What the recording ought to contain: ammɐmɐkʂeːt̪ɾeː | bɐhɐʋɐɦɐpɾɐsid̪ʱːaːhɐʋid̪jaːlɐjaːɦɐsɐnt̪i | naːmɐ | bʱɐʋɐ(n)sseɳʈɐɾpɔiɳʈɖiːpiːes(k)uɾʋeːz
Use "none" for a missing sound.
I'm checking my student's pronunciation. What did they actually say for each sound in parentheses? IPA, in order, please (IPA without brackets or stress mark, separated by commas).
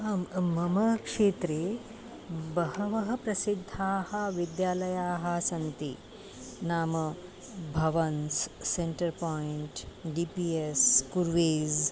n, k